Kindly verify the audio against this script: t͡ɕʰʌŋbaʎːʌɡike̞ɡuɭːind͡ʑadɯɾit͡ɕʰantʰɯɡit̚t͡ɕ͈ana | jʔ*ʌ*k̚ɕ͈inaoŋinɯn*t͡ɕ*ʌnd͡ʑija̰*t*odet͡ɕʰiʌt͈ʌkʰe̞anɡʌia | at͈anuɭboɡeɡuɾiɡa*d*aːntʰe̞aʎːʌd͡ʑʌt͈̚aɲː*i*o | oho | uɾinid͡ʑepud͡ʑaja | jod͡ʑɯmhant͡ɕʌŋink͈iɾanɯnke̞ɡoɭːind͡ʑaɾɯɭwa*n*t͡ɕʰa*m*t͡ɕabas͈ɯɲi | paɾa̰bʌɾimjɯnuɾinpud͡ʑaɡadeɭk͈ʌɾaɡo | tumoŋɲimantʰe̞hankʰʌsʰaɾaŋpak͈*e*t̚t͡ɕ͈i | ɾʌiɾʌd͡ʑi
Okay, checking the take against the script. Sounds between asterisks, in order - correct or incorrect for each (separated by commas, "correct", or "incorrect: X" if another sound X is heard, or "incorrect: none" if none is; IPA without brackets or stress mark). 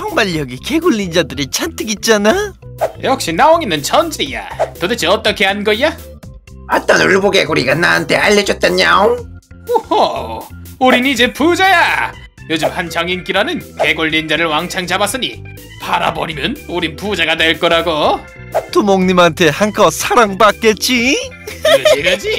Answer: correct, incorrect: t͡ɕʰ, correct, incorrect: n, incorrect: a, incorrect: ŋ, incorrect: ŋ, correct